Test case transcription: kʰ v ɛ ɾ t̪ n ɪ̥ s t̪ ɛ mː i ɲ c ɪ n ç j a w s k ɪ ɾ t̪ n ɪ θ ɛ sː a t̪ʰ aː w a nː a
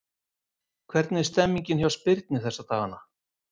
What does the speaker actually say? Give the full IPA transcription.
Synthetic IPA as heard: kʰ v ɛ ɾ t̪ n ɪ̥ s t̪ ɛ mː i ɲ c ɪ n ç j a w s p ɪ ɾ t̪ n ɪ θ ɛ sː a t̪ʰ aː ɣ a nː a

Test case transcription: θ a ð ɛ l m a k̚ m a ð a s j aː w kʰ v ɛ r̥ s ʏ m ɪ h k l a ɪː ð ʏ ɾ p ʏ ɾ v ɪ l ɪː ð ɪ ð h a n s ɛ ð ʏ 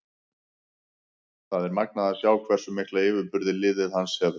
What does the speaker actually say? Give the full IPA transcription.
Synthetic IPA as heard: θ a ð ɛ ɾ m a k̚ n a ð a s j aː w kʰ v ɛ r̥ s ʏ m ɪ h k l a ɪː v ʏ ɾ p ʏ ɾ ð ɪ l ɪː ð ɪ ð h a n s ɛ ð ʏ

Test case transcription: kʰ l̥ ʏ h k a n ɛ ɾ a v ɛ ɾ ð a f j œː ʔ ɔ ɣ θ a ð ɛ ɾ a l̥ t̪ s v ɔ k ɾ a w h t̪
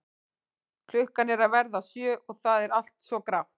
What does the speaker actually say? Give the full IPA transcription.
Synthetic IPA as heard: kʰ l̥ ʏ h k a n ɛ ɾ a v ɛ ɾ ð a s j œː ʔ ɔ ɣ θ a ð ɛ ɾ a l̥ t̪ s v ɔ k ɾ a w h t̪

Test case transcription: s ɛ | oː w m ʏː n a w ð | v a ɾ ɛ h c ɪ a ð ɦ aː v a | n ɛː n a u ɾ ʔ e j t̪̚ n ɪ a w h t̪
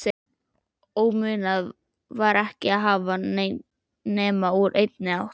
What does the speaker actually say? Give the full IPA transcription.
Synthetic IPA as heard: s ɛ | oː w m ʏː n a ð | v a ɾ ɛ h c ɪ a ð ɦ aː v a | n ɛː m a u ɾ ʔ e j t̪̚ n ɪ a w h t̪

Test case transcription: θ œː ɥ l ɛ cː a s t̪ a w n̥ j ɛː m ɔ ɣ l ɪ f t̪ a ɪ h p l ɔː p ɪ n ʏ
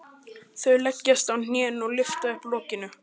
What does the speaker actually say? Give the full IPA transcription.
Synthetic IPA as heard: θ œ ɥ l ɛ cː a s t̪ a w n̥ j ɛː n ɔ ɣ l ɪ f t̪ a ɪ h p l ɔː c ɪ n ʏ

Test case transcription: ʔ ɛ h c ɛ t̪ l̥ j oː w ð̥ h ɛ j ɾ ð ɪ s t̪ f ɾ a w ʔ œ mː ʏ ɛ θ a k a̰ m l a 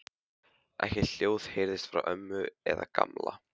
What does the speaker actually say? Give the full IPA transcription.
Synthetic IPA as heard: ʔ ɛ h c ɛ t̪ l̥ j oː w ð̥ h e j ɾ ð ɪ s t̪ f ɾ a w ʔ œ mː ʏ ɛ ð a k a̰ m l a

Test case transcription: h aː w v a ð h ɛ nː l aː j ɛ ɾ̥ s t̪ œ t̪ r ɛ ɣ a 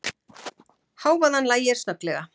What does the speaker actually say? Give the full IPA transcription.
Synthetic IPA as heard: h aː w v a ð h a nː l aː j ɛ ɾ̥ s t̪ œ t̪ l ɛ ɣ a

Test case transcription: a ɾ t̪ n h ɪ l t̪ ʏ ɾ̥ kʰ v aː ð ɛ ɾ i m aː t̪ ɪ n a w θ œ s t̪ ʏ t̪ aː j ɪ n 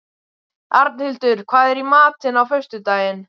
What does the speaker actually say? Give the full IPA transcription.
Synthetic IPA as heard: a ɾ t̪ n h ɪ l t̪ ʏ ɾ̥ kʰ v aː ð ɛ ɾ i m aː t̪ ɪ n a w f œ s t̪ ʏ t̪ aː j ɪ n

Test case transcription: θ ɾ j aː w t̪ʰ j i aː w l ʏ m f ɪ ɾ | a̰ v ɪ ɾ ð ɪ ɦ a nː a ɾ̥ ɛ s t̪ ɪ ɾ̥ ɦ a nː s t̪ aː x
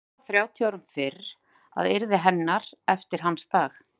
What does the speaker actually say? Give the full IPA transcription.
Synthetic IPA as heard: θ ɾ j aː w t̪ʰ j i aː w ɾ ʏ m f ɪ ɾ | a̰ ð ɪ ɾ ð ɪ ɦ ɛ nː a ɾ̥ ɛ f t̪ ɪ ɾ̥ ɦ a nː s t̪ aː x

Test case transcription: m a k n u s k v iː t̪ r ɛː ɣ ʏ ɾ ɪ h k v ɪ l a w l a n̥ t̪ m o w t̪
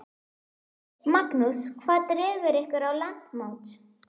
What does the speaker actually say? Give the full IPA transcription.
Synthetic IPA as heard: m a k n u s kʰ v aː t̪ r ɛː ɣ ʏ ɾ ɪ h k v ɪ ɾ a w l a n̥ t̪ m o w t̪

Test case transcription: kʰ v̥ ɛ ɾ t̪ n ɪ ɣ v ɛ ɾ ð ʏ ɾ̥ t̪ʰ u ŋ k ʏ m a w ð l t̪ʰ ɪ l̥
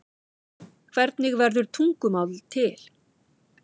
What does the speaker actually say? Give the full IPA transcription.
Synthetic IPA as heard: kʰ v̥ ɛ ɾ t̪ n ɪ ɣ v ɛ ɾ ð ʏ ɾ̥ t̪ʰ u ŋ k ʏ m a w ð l t̪ʰ ɪ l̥

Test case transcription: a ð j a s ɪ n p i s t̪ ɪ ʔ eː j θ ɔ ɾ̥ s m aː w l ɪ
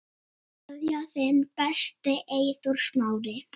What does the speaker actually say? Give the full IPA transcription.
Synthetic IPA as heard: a ð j a θ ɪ n p ɛ s t̪ ɪ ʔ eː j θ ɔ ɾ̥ s m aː w ɾ ɪ

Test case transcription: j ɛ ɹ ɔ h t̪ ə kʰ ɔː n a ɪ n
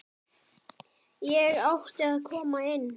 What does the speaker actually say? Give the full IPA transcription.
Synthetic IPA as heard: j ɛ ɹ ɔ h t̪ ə kʰ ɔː m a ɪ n

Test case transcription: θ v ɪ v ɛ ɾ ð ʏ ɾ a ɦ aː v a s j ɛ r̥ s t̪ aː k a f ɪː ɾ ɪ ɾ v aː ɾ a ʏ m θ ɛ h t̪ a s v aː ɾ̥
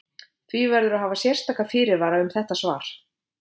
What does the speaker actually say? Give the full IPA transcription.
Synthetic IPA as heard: θ v i v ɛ ɾ ð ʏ ɾ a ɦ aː v a s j ɛ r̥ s t̪ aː k a f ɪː ɾ ɪ ɾ v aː ɾ a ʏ m θ ɛ h t̪ a s v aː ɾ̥

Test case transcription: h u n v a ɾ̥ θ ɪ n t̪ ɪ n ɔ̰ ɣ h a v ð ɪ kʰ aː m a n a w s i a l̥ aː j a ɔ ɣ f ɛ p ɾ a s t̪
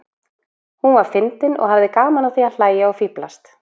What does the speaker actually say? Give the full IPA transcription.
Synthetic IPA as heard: h u n v a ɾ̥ f ɪ n t̪ ɪ n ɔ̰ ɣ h a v ð ɪ k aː m a n a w θ i a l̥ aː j a ɔ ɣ f i p l a s t̪

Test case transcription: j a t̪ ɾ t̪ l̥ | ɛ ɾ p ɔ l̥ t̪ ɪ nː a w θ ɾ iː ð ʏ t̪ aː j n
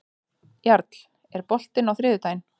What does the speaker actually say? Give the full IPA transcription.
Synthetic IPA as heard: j a ɾ t̪ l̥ | ɛ ɾ p ɔ l̥ t̪ ɪ n a w θ ɾ ɪː ð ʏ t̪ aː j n

